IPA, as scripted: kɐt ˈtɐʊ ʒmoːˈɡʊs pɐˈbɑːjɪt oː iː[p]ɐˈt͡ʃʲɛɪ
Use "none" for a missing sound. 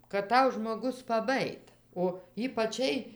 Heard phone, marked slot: p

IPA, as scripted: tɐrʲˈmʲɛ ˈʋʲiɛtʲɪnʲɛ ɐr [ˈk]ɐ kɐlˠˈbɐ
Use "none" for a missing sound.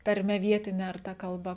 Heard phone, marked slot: t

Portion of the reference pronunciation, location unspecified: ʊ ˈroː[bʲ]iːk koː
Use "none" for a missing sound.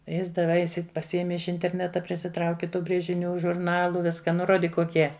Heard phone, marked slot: dʲ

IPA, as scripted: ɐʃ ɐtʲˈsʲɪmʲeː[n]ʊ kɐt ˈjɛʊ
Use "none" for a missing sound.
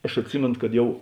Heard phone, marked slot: n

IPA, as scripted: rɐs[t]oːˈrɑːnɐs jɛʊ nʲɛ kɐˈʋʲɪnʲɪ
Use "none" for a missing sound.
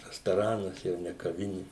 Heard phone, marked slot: t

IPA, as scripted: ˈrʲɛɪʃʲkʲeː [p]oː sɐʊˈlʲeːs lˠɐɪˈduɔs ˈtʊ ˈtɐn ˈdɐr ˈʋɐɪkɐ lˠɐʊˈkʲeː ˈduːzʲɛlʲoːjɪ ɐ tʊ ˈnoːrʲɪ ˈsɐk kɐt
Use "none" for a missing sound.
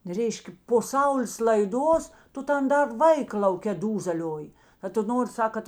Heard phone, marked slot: p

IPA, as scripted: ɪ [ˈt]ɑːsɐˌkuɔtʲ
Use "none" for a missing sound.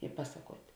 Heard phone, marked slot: p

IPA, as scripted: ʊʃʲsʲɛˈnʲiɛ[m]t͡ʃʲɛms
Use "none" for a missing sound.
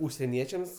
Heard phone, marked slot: none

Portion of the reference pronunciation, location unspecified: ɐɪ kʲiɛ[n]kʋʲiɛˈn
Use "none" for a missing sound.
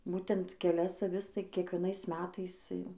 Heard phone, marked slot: none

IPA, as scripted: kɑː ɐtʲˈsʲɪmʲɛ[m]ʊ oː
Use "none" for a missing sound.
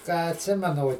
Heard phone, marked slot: n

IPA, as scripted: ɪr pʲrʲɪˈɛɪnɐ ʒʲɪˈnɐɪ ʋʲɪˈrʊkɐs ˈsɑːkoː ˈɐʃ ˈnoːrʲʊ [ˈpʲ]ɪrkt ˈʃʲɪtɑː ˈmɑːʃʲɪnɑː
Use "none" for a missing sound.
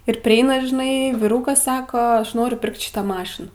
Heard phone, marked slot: pʲ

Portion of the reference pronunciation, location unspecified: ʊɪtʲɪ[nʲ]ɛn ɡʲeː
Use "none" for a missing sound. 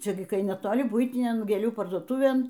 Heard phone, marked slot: nʲ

